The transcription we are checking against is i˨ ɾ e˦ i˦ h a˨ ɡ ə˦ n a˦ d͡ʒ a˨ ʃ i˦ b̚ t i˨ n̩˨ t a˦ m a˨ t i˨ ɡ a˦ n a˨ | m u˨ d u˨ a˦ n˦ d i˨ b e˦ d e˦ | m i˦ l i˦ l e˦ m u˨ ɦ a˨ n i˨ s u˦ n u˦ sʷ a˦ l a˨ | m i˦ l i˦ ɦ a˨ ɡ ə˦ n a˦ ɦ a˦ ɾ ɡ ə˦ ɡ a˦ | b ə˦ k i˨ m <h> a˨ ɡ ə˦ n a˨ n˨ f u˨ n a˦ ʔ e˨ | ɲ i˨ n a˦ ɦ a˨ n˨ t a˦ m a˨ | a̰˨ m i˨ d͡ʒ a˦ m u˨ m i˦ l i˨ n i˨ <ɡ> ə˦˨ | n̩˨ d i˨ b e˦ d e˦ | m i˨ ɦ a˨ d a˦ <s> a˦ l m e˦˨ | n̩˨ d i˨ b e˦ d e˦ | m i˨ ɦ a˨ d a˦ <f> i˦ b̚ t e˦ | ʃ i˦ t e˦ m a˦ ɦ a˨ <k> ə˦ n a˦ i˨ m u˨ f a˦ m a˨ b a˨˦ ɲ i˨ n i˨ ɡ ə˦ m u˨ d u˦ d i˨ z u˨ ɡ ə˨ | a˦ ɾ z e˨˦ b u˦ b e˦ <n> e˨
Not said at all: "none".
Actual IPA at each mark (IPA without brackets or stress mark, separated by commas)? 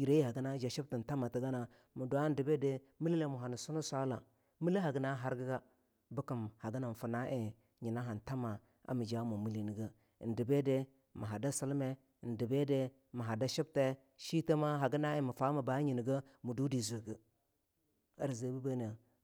h, ɡ, s, ʃ, ɡ, n